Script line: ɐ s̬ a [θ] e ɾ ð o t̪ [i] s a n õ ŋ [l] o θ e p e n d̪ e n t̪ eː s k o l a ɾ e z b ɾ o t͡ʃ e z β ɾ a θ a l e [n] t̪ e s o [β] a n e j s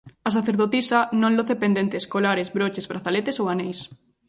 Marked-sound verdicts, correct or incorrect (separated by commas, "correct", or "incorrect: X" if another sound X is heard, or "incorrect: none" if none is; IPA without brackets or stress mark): correct, correct, correct, incorrect: none, incorrect: w